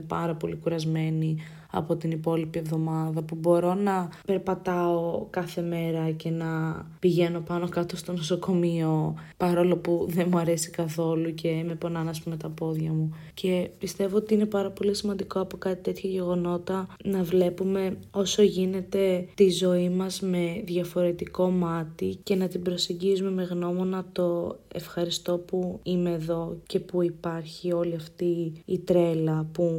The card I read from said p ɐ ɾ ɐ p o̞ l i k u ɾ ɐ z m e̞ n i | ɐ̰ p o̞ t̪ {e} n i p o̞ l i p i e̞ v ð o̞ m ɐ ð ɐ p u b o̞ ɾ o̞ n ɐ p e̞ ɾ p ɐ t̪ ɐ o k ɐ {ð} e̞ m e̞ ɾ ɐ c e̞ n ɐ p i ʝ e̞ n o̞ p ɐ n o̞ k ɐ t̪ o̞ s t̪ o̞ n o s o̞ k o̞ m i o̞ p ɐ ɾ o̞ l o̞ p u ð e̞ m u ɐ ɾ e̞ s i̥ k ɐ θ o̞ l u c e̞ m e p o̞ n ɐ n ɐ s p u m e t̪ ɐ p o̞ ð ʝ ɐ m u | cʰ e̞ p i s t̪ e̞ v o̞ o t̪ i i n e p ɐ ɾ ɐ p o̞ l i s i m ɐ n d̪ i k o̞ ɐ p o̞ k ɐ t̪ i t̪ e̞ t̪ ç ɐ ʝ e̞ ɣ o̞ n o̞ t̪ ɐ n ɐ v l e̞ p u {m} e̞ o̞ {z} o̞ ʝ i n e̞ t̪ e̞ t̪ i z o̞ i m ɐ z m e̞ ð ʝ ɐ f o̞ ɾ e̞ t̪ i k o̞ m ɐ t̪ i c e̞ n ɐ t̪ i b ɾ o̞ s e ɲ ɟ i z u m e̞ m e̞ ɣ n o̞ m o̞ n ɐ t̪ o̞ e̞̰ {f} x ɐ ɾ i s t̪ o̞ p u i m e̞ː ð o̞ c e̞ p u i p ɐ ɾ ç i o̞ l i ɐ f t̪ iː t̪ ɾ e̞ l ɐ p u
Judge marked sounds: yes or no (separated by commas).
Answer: no, no, yes, no, yes